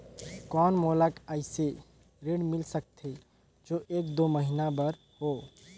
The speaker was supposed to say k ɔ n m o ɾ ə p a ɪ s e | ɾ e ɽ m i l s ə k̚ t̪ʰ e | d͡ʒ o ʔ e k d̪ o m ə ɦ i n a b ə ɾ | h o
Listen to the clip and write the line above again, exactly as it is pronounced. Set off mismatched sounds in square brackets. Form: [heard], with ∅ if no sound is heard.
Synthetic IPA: k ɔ n m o [l] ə [k] a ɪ s e | ɾ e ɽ m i l s ə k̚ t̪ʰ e | d͡ʒ o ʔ e k d̪ o m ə ɦ i n a b ə ɾ | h o